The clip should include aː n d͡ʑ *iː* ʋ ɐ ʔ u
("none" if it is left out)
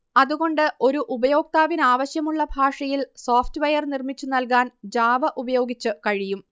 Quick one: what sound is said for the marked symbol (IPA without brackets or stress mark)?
aː